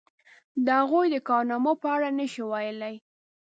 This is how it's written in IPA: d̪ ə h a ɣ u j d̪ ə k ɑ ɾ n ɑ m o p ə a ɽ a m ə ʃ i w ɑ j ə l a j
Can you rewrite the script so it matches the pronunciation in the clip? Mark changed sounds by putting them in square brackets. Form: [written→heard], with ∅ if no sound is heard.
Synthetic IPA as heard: d̪ ə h a ɣ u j d̪ ə k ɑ ɾ n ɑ m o p ə a ɽ a [m→n] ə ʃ i w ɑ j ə l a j